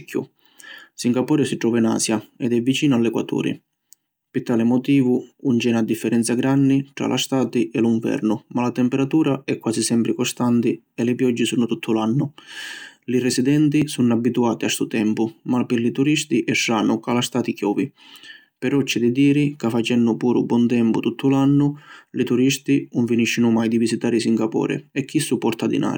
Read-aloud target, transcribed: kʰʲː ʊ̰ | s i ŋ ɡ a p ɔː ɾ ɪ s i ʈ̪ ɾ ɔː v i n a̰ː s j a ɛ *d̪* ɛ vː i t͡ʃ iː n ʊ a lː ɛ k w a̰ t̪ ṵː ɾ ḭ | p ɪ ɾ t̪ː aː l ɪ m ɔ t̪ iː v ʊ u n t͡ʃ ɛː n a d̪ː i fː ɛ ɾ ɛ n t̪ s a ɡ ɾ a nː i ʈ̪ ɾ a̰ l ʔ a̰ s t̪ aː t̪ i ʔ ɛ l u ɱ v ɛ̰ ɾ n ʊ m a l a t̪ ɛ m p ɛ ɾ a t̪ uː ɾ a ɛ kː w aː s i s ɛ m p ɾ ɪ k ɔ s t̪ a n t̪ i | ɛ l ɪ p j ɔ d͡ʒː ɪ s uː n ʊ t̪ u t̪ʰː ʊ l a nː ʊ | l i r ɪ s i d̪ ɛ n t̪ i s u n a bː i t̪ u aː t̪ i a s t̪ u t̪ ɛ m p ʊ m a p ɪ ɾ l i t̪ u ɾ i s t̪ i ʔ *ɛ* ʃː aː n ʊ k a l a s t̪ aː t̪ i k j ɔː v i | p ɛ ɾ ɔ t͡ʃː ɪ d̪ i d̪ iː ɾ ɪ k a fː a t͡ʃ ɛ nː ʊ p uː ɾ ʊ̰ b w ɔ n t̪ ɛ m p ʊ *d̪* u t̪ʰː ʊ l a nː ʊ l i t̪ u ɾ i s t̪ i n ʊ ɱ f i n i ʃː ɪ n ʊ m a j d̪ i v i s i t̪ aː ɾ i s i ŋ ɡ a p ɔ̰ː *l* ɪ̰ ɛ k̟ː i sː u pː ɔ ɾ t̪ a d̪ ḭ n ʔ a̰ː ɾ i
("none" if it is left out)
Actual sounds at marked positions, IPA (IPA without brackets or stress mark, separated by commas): d̪, ɛ, t̪, ɾ